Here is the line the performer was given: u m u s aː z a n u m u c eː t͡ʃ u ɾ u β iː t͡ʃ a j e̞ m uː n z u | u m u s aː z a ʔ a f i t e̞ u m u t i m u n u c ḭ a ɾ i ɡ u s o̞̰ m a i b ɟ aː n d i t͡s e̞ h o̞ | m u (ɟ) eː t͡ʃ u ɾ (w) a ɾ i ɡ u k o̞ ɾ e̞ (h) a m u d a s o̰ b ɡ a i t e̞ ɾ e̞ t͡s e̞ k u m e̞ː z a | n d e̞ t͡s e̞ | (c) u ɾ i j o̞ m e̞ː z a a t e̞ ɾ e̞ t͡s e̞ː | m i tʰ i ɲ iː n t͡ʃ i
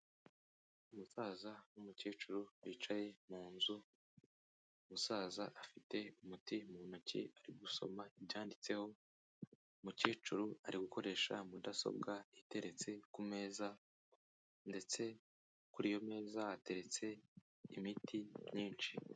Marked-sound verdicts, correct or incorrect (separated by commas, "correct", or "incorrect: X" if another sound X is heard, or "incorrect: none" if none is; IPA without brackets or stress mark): incorrect: c, incorrect: u, incorrect: ʃ, incorrect: k